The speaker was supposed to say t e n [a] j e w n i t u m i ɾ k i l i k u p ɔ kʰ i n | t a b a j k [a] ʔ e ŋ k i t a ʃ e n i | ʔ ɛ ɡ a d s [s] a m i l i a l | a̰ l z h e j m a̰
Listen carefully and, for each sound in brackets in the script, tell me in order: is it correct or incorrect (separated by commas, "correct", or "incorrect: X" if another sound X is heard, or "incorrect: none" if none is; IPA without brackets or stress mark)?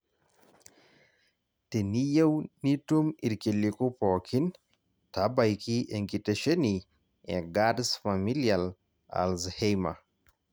incorrect: i, incorrect: i, incorrect: f